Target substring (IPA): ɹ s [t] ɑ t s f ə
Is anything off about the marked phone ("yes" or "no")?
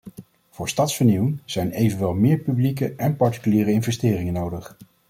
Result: no